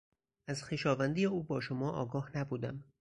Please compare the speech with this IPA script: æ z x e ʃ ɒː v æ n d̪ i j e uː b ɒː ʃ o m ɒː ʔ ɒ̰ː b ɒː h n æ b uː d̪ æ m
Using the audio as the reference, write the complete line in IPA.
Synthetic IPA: æ z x e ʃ ɒː v æ n d̪ i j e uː b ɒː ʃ o m ɒː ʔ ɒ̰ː ɡ ɒː h n æ b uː d̪ æ m